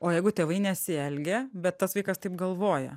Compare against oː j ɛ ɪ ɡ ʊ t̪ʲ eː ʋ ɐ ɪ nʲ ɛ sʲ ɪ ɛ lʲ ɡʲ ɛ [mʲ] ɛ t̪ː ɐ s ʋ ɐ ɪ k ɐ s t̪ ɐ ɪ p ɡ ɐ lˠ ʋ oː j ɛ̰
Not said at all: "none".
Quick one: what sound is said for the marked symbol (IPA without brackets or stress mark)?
bʲ